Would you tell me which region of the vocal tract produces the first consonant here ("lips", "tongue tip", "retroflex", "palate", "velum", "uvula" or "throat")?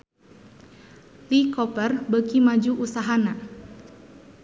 tongue tip